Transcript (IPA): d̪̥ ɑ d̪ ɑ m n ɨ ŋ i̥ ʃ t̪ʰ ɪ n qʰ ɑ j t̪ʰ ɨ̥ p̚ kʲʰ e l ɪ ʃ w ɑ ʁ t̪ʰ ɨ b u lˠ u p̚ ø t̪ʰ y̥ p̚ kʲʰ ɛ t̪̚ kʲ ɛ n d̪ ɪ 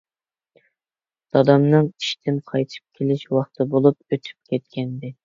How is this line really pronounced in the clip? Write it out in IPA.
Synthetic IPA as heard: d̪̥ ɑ d̪ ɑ m n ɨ ŋ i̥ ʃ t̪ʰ ɪ n qʰ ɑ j t̪ʰ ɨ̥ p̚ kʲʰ e l ɪ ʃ w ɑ χ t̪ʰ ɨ b o lˠ u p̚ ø t̪ʰ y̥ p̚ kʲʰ ɛ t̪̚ kʲ ɛ n d̪ ɪ